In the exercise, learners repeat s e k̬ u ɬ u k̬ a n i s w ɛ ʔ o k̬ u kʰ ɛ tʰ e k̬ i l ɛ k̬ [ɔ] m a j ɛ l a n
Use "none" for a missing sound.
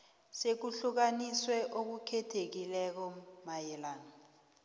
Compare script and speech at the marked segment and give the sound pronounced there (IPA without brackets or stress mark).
ɔ